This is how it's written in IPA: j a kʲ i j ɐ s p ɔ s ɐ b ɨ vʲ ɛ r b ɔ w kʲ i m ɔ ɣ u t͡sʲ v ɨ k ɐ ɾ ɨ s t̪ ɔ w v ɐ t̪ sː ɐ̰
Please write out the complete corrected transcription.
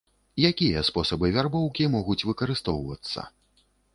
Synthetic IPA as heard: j a kʲ i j ɐ s p ɔ s ɐ b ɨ vʲ a r b ɔ w kʲ i m ɔ ɣ u t͡sʲ v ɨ k ɐ ɾ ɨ s t̪ ɔ w v ɐ t̪ sː ɐ̰